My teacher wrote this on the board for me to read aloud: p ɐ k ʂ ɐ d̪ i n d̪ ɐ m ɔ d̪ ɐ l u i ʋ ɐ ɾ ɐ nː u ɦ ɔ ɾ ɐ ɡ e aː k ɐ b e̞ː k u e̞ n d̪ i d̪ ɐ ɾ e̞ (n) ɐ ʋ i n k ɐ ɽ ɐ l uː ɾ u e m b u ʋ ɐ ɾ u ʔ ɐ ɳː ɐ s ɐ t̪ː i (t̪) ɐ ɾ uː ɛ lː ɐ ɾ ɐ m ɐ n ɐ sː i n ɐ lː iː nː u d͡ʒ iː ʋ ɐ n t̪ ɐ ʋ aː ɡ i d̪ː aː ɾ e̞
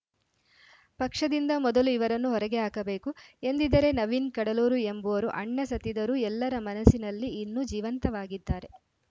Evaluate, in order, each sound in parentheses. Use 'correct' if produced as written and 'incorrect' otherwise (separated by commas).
correct, incorrect